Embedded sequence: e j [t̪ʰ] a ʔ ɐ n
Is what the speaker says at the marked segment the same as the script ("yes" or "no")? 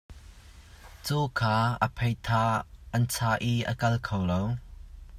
yes